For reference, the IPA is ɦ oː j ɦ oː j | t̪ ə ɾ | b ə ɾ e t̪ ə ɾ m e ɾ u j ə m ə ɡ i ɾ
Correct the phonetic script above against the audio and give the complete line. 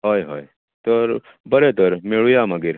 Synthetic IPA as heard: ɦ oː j ɦ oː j | t̪ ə ɾ | b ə ɾ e t̪ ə ɾ m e ɭ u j a m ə ɡ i ɾ